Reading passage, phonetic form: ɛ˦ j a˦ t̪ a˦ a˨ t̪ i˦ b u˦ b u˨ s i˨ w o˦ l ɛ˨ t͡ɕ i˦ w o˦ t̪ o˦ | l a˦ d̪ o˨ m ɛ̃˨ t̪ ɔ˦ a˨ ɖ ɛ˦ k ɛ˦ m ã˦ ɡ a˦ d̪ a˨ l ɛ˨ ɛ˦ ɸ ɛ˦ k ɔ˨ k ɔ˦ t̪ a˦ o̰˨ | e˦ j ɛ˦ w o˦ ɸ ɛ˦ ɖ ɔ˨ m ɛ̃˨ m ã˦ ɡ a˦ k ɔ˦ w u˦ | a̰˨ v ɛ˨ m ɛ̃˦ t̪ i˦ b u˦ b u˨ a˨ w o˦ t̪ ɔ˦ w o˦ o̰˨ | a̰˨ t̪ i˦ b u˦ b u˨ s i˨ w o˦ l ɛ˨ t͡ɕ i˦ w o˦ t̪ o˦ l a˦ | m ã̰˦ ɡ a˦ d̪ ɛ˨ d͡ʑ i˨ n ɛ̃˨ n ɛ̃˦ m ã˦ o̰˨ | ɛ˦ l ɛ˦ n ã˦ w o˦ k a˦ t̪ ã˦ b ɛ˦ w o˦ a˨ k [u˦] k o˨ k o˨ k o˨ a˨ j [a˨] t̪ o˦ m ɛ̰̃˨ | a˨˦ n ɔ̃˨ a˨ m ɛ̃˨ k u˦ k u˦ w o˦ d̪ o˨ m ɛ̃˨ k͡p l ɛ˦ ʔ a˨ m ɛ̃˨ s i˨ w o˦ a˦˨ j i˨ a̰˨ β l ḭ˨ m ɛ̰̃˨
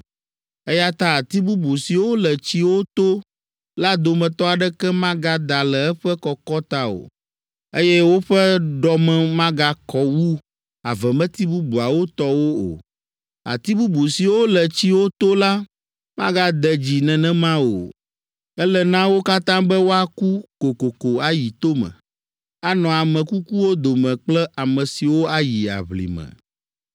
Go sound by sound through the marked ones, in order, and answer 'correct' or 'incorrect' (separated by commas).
correct, incorrect